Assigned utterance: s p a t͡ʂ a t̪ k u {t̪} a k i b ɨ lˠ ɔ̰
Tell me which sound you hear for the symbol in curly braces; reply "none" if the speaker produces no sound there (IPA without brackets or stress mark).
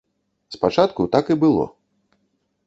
t̪